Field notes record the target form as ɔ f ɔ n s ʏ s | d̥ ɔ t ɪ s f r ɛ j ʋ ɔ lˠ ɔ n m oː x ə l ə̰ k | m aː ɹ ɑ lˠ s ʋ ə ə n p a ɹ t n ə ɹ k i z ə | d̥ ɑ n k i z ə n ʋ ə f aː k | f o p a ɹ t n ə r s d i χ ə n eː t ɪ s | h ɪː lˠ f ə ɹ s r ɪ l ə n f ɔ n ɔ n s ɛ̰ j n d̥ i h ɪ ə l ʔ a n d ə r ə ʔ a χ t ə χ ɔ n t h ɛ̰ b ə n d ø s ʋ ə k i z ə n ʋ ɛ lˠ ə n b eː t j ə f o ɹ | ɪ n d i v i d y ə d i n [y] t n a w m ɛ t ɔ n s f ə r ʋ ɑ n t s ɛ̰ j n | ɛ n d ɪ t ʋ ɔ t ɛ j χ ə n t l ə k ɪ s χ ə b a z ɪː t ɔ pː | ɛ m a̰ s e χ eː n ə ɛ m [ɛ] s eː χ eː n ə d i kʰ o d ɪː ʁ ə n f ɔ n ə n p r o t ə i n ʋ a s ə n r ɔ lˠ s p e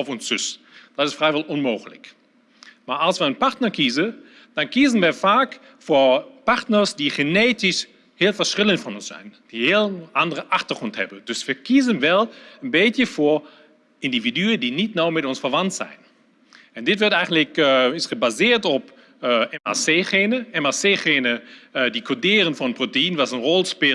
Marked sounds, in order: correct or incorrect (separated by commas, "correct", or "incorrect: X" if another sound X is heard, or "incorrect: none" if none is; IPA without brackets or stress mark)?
incorrect: i, incorrect: a